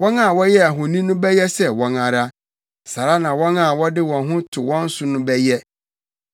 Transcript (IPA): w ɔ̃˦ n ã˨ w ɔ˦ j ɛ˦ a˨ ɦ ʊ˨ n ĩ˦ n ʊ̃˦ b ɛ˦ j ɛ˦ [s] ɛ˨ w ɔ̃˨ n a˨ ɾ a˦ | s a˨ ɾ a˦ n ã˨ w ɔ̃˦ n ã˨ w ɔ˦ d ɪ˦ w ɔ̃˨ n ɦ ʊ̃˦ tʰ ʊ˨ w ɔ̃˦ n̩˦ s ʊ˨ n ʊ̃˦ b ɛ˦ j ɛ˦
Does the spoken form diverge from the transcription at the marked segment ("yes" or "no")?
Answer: no